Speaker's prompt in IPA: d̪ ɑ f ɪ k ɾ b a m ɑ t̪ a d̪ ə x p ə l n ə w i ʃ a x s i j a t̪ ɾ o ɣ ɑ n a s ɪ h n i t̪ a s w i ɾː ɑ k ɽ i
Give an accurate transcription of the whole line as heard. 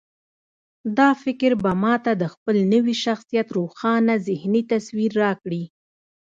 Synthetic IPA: d̪ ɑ f ɪ k ɾ b a m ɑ t̪ a d̪ ə x p ə l n ə w i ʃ a x s i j a t̪ ɾ o x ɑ n a z ɪ h n i t̪ a s w i ɾː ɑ k ɽ i